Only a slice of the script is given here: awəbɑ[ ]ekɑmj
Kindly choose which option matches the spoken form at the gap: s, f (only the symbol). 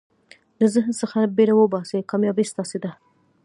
s